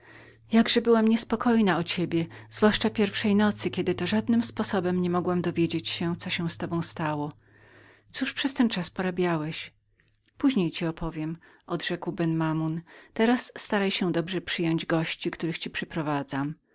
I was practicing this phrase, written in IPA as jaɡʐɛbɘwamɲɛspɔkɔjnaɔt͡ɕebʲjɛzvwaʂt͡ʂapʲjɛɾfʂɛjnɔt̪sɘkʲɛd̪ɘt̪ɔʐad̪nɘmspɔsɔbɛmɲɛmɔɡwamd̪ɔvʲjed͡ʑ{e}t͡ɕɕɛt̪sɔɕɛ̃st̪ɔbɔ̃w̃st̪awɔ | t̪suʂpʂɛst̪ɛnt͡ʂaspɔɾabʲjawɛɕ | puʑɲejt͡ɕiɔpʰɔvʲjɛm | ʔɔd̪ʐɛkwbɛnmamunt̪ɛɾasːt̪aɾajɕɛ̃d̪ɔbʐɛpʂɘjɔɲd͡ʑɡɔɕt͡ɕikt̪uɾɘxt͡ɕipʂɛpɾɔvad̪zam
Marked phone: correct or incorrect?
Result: correct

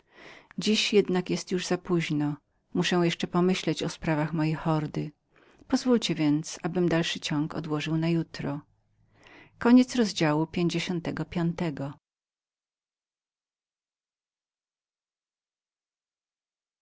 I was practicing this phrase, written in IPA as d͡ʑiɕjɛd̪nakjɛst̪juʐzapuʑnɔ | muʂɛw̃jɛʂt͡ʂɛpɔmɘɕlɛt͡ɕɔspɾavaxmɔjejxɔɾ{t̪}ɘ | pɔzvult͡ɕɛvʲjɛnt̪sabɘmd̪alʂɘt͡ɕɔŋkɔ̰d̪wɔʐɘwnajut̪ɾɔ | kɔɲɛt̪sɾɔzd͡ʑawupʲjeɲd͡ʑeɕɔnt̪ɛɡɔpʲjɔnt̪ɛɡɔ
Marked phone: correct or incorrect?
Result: incorrect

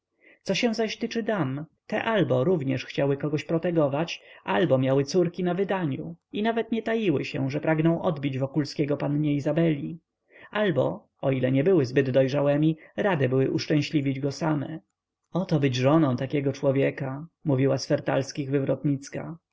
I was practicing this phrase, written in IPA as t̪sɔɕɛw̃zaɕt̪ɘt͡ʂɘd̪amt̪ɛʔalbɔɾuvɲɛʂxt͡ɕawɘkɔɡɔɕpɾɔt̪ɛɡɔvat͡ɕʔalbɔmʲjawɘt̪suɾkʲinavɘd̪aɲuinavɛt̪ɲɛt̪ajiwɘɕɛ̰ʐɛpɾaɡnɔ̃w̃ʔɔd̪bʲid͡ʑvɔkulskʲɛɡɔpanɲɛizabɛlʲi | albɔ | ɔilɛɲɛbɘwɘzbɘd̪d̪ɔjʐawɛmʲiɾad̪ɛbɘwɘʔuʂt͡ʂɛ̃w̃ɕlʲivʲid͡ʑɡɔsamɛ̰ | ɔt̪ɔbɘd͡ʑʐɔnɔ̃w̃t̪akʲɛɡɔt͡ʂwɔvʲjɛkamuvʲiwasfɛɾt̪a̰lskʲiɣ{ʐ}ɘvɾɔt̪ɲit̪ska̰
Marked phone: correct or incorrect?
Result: incorrect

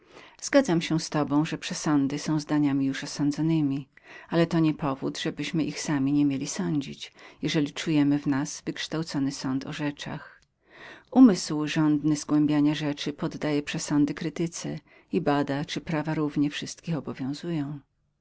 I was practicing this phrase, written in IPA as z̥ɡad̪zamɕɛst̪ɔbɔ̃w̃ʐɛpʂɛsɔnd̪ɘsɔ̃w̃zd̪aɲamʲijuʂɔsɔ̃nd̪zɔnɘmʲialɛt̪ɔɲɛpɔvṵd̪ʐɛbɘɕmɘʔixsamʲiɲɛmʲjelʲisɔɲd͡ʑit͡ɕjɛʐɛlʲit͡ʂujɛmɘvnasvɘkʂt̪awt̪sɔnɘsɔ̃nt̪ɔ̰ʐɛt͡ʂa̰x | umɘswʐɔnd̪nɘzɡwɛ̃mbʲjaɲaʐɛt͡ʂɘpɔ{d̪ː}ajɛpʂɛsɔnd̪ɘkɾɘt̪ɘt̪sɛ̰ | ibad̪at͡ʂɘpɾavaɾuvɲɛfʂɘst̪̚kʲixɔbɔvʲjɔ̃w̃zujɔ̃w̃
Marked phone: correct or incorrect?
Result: correct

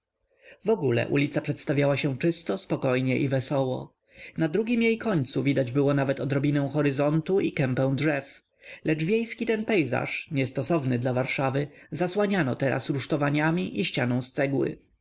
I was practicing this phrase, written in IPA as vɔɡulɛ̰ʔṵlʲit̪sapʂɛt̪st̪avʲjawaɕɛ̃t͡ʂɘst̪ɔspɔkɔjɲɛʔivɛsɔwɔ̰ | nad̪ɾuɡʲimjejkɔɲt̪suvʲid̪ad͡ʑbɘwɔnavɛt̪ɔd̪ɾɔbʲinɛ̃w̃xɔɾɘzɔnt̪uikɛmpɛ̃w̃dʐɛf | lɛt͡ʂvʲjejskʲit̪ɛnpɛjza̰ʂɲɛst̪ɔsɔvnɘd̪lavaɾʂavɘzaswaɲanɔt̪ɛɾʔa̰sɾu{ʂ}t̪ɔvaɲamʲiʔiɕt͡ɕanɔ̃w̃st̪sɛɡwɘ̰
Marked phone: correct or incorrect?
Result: correct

